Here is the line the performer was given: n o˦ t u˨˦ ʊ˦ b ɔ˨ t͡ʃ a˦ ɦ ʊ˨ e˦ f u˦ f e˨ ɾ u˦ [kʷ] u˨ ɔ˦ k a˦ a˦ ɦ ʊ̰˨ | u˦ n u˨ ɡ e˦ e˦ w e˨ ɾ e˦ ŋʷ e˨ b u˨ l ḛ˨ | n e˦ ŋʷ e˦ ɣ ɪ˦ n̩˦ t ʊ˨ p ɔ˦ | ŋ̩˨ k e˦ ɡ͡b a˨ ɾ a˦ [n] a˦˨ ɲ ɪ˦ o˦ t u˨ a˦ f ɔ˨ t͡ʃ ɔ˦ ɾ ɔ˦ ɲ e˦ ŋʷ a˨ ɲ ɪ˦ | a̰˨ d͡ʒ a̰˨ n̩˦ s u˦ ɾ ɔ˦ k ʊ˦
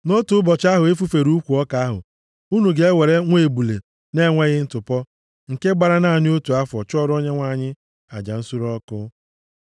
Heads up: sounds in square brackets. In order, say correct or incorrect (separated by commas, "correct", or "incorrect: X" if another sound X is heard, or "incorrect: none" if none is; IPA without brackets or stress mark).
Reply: correct, correct